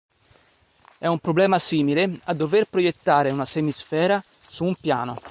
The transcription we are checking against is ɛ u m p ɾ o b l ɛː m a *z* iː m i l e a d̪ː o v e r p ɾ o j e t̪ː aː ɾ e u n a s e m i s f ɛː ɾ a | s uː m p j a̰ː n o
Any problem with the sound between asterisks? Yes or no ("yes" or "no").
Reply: yes